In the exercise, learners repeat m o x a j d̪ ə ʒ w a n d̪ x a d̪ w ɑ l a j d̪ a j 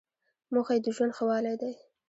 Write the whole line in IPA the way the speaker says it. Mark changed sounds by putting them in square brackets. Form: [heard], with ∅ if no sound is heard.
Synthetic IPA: m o x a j d̪ ə ʒ w a n d̪ x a [∅] w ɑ l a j d̪ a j

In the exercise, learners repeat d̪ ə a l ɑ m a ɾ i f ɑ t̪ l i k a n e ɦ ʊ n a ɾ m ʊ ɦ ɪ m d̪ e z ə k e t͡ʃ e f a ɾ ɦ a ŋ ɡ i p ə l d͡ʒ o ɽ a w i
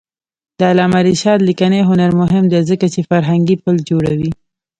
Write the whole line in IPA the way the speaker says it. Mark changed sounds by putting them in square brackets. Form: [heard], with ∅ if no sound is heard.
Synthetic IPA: d̪ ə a l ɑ m a ɾ i [ʃ] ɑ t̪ l i k a n e ɦ ʊ n a ɾ m ʊ ɦ ɪ m d̪ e z ə k [a] t͡ʃ e f a ɾ ɦ a ŋ ɡ i p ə l d͡ʒ o ɽ a w i

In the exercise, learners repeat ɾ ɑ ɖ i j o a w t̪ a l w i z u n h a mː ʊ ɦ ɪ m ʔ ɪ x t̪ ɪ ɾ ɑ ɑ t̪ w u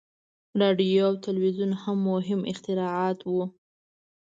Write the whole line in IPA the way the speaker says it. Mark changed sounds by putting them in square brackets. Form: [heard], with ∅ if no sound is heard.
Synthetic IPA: ɾ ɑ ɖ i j o a w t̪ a l w i z u n h a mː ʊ ɦ ɪ m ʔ ɪ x t̪ ɪ ɾ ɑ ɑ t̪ w u

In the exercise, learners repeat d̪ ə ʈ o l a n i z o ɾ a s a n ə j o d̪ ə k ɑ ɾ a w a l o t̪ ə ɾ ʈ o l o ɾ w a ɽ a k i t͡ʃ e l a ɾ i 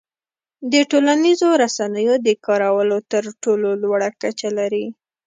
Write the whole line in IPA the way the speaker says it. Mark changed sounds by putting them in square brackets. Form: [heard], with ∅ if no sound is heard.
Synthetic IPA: d̪ ə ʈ o l a n i z o ɾ a s a n ə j o d̪ ə k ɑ ɾ a w [ə] l o t̪ ə ɾ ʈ o l o [l] w a ɽ a k [a] t͡ʃ [a] l a ɾ i

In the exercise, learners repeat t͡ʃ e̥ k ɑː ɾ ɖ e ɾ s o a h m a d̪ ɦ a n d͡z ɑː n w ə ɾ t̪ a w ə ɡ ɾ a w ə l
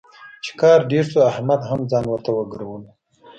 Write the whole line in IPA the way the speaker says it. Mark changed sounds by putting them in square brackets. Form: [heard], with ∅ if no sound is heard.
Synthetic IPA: t͡ʃ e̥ k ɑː ɾ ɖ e ɾ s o a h m a d̪ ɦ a [m] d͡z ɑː n w ə ɾ t̪ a w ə ɡ ɾ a w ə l

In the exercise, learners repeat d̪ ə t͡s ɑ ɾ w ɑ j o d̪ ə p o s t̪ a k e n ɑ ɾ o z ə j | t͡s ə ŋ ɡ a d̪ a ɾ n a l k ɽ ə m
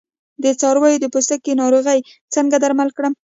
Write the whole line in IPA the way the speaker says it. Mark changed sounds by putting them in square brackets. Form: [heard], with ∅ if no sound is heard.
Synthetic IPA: d̪ ə t͡s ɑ ɾ w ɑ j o d̪ ə p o s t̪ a k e n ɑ ɾ o [ɣ] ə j | t͡s ə ŋ ɡ a d̪ a ɾ [m] a l k ɽ ə m

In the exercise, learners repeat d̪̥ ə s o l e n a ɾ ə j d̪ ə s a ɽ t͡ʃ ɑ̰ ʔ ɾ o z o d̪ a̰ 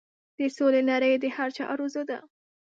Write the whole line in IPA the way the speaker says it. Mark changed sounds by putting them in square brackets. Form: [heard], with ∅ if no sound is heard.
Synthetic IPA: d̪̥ ə s o l e n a ɾ ə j d̪ ə [h] a [ɾ] t͡ʃ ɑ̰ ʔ ɾ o z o d̪ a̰

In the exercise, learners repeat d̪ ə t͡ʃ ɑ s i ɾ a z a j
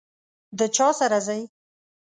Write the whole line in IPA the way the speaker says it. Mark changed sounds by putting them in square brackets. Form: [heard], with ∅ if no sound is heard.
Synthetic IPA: d̪ ə t͡ʃ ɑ s [a] ɾ a z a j

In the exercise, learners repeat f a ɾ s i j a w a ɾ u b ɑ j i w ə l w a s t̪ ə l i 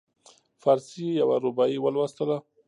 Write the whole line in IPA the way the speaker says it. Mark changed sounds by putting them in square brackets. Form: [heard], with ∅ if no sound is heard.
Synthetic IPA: f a ɾ s i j a w a ɾ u b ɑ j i w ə l w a s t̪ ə l [a]

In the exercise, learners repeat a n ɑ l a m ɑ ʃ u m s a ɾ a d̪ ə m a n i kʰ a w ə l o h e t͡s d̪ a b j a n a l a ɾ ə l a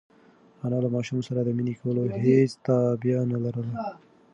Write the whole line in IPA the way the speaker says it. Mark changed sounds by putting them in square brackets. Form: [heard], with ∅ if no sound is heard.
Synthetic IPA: a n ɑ l a m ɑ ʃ u m s a ɾ a d̪ ə m [i] n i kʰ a w ə l o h e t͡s [t̪] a b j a n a l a ɾ ə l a

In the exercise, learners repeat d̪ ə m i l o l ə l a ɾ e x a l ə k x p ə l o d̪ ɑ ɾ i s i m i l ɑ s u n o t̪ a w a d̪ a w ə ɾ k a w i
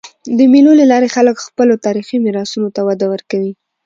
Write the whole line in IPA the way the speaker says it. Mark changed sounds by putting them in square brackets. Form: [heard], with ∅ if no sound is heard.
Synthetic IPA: d̪ ə m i l o l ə l [ɑ] ɾ e x a l ə k x p ə l o [t̪] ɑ ɾ i [x] i m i [ɾ] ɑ s u n o t̪ a w a d̪ a w ə ɾ k a w i

